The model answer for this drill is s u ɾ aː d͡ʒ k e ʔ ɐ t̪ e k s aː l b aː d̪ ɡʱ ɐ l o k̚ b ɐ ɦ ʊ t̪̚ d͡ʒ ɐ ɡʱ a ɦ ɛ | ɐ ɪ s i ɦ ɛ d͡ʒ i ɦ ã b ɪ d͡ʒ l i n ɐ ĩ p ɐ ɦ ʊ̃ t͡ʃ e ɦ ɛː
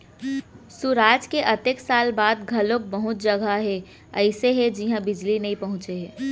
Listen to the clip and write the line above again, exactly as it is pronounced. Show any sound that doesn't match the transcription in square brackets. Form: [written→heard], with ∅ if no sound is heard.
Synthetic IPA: s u ɾ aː d͡ʒ k e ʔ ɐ t̪ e k s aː l b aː d̪ ɡʱ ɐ l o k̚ b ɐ ɦ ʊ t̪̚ d͡ʒ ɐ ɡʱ a ɦ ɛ | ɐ ɪ s [i→e] ɦ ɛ d͡ʒ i ɦ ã b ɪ d͡ʒ l i n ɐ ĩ p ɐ ɦ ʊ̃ t͡ʃ e ɦ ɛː